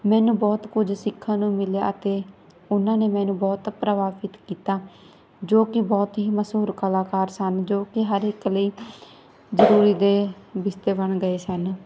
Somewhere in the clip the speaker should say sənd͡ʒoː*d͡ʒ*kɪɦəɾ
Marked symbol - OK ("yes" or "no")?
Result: no